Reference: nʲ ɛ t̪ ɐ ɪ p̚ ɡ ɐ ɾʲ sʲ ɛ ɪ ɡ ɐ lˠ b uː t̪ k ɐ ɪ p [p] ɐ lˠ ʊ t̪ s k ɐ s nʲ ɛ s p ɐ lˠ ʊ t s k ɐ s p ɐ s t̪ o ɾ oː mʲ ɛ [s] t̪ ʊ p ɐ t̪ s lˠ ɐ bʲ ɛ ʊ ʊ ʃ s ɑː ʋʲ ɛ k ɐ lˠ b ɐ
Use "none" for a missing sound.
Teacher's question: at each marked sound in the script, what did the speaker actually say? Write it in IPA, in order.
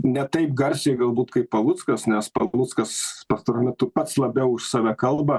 p, none

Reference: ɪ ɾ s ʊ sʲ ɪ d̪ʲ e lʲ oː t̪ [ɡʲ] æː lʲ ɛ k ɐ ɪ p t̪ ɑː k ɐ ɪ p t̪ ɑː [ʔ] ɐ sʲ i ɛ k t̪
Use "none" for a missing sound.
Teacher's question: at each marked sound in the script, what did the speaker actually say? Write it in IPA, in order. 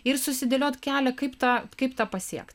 kʲ, p

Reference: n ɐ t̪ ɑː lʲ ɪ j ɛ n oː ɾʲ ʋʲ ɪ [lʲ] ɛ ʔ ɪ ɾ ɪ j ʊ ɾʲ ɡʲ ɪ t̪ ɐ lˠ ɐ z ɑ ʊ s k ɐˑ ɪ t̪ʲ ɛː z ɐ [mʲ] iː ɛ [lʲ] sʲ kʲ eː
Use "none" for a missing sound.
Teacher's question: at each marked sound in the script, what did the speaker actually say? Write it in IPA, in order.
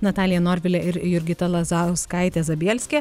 lʲ, bʲ, lʲ

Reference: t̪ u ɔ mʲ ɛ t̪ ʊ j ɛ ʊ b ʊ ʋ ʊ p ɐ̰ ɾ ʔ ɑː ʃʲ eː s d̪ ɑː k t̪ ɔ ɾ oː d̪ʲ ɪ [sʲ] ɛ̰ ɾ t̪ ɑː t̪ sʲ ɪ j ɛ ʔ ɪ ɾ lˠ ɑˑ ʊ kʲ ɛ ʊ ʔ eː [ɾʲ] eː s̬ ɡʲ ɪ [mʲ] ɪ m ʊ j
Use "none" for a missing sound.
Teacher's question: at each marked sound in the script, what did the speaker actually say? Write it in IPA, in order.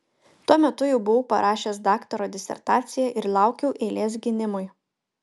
sʲ, lʲ, nʲ

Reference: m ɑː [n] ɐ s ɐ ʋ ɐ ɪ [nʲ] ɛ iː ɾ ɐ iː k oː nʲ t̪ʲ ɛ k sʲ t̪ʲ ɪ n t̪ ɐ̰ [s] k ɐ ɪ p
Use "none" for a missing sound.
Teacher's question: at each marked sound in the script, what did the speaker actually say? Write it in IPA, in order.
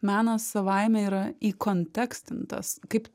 n, mʲ, s

